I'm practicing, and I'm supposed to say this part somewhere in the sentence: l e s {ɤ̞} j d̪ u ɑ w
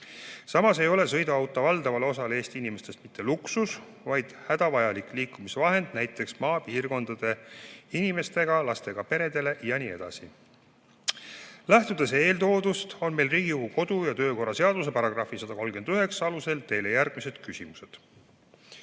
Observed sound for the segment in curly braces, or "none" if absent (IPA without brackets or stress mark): ɤ̞